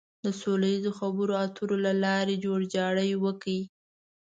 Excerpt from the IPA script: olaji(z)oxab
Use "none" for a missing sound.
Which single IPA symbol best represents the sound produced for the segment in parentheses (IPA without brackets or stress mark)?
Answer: z